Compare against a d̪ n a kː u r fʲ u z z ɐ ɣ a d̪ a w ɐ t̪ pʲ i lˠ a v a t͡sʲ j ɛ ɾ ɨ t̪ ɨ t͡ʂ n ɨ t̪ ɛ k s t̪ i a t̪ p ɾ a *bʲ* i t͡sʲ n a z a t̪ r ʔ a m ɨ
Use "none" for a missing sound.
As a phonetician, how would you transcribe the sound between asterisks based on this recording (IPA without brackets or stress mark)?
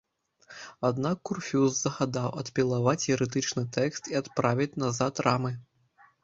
vʲ